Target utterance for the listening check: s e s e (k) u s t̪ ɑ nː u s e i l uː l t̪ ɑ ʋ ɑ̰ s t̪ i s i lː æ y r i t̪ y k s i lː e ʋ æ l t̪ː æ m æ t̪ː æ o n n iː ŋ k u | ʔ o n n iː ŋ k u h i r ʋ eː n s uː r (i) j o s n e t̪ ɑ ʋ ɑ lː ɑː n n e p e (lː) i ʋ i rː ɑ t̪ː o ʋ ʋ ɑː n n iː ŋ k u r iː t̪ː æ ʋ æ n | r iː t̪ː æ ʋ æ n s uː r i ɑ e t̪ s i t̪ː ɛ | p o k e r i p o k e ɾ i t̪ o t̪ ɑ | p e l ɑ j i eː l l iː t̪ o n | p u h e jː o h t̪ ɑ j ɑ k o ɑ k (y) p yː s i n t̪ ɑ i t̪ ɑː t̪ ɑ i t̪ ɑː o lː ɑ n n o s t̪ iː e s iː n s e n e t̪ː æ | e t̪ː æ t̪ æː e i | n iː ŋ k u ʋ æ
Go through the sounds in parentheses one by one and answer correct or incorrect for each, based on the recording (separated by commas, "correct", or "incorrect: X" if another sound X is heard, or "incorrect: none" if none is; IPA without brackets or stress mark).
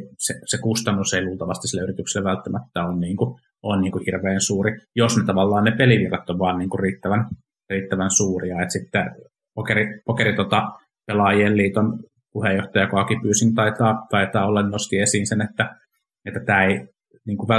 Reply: correct, correct, incorrect: l, incorrect: i